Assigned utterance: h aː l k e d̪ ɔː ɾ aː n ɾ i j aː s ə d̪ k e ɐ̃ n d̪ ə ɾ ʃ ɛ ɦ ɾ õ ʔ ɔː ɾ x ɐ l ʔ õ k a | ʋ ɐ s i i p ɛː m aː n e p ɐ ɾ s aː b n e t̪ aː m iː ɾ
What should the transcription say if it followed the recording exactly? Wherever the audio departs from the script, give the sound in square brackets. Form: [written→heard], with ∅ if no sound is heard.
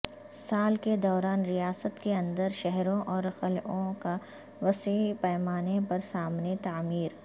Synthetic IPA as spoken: [h→s] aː l k e d̪ ɔː ɾ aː n ɾ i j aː s ə [d̪→t̪] k e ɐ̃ n d̪ ə ɾ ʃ ɛ ɦ ɾ õ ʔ ɔː ɾ x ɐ l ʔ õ k a | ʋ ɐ s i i p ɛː m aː n e p ɐ ɾ s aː [b→m] n e t̪ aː m iː ɾ